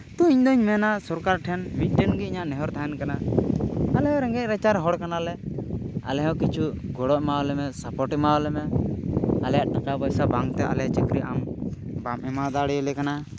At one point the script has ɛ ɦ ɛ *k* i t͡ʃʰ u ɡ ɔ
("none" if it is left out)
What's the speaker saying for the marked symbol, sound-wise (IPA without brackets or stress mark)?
k